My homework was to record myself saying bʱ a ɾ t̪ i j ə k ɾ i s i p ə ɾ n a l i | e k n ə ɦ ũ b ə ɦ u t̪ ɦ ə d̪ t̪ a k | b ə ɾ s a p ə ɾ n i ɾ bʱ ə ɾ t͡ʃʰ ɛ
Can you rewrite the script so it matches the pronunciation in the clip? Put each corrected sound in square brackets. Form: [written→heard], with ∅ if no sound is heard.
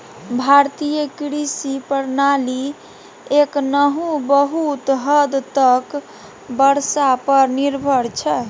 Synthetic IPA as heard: bʱ a ɾ t̪ i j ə k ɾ i s i p ə ɾ n a l i | e k n ə ɦ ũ b ə ɦ u t̪ ɦ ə d̪ t̪ [a→ə] k | b ə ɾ s a p ə ɾ n i ɾ bʱ ə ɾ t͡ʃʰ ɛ